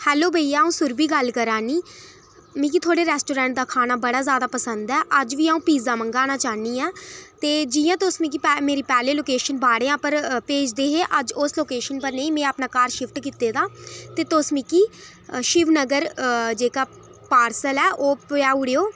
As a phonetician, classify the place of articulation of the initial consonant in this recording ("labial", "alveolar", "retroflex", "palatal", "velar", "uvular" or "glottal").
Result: glottal